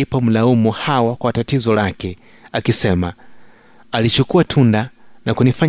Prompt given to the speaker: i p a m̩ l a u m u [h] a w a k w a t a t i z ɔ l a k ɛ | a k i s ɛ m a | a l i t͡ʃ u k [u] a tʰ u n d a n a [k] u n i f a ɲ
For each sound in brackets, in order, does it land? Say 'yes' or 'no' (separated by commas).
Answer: yes, yes, yes